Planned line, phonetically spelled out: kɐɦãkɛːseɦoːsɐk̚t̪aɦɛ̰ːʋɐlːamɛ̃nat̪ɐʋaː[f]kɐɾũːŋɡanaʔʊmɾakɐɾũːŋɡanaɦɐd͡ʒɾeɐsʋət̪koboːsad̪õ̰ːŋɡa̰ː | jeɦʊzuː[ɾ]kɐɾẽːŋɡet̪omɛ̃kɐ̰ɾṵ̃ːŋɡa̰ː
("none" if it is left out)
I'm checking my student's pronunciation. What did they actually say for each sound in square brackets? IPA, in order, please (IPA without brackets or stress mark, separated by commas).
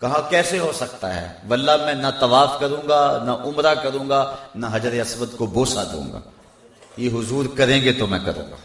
f, ɾ